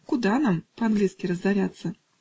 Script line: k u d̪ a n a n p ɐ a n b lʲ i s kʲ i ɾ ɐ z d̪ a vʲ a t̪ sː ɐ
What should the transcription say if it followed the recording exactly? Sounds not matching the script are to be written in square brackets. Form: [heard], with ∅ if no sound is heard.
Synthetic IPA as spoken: k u d̪ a n a [m] p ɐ a n [ɡ] lʲ i s kʲ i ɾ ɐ z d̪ a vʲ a t̪ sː ɐ

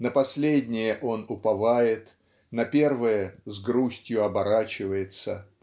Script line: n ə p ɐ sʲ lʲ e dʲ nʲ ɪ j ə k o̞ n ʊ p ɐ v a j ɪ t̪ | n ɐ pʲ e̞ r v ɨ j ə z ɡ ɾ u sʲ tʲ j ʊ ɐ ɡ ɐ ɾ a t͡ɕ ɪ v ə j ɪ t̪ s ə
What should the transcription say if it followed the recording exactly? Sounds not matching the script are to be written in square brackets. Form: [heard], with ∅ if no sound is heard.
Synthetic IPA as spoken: n ə p ɐ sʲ lʲ e dʲ nʲ ɪ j ə [ʔ] o̞ n ʊ p ɐ v a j ɪ t̪ | n ɐ pʲ e̞ r v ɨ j ə z ɡ ɾ u sʲ tʲ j ʊ ɐ [b] ɐ ɾ a t͡ɕ ɪ v ə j ɪ t̪ s ə

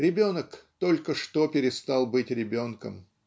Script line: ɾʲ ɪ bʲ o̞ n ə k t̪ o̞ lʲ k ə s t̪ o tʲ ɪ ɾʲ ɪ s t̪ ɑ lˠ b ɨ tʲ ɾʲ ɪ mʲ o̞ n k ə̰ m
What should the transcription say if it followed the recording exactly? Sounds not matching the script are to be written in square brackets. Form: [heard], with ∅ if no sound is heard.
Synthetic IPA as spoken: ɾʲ ɪ bʲ o̞ n ə k t̪ o̞ lʲ k ə [ʂ] t̪ o [pʲ] ɪ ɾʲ ɪ s t̪ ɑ lˠ b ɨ tʲ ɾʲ ɪ [bʲ] o̞ n k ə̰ m

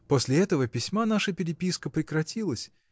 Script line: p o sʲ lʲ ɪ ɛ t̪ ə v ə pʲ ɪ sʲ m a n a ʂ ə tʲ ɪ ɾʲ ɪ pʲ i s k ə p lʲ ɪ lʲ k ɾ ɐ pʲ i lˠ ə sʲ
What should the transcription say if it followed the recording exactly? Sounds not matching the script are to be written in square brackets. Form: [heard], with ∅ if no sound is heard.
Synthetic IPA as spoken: p o sʲ lʲ ɪ ɛ t̪ ə v ə pʲ ɪ sʲ m a n a ʂ ə [pʲ] ɪ ɾʲ ɪ pʲ i s k ə p [ɾʲ] ɪ [∅] k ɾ ɐ [tʲ] i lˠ ə sʲ

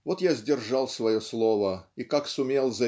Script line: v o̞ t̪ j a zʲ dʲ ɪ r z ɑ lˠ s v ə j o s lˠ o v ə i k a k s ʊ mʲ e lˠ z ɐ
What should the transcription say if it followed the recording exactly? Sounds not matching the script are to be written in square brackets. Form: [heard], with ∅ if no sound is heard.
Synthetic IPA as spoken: v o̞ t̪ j a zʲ dʲ ɪ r [ʐ] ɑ lˠ s v [ɐ] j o s lˠ o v ə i k a k s ʊ mʲ e lˠ z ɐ

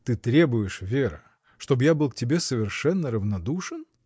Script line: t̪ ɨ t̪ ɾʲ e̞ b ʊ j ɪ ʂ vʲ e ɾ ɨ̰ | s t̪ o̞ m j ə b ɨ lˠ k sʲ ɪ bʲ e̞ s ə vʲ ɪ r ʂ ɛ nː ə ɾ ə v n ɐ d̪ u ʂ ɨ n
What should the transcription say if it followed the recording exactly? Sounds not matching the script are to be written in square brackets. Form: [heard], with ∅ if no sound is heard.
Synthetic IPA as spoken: t̪ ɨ t̪ ɾʲ e̞ b ʊ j ɪ ʂ vʲ e ɾ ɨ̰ | [ʂ] t̪ o̞ [b] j [a] b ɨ lˠ k [tʲ] ɪ bʲ e̞ s ə vʲ ɪ r ʂ ɛ nː ə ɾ ə v n ɐ d̪ u ʂ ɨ n

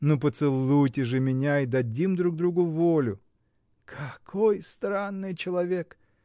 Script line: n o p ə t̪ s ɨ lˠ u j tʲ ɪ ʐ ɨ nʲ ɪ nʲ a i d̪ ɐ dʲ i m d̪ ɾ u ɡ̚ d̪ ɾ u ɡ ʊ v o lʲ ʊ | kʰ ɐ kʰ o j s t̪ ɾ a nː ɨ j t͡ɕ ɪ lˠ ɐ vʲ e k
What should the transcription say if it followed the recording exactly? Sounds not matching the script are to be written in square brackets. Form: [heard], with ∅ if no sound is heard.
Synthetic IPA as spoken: n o p ə t̪ s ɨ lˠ u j tʲ ɪ ʐ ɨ [mʲ] ɪ nʲ a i d̪ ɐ dʲ i m d̪ ɾ u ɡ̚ d̪ ɾ u ɡ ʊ v o lʲ ʊ | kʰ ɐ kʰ o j s t̪ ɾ a nː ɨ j t͡ɕ ɪ lˠ ɐ vʲ e k

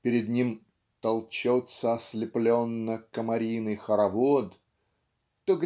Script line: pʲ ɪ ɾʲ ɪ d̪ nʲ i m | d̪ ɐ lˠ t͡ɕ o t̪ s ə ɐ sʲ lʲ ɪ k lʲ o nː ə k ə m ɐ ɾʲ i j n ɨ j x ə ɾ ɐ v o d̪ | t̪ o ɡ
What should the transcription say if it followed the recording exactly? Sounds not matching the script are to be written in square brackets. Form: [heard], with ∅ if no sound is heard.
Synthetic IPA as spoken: pʲ ɪ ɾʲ ɪ d̪ nʲ i m | [t̪] ɐ lˠ t͡ɕ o t̪ s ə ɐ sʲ lʲ ɪ [p] lʲ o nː ə k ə m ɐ ɾʲ i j n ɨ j x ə ɾ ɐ v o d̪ | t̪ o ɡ

